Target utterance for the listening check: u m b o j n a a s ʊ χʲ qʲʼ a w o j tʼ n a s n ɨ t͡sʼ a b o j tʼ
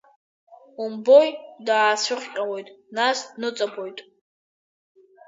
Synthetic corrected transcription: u m b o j d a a s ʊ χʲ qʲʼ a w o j tʼ n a s n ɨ t͡sʼ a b o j tʼ